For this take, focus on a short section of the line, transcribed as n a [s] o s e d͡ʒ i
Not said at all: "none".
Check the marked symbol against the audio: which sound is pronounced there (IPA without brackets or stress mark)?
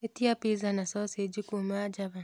s